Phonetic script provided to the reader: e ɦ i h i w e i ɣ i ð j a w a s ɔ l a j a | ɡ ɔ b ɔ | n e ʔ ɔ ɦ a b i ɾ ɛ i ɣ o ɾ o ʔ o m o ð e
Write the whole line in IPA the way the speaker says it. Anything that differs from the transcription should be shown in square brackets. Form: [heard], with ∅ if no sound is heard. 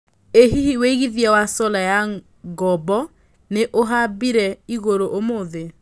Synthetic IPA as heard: e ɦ i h i w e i ɣ i ð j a w a s ɔ l a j a | ɡ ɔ b ɔ | n e ʔ [o] ɦ a b i ɾ ɛ i ɣ o ɾ o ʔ o m o ð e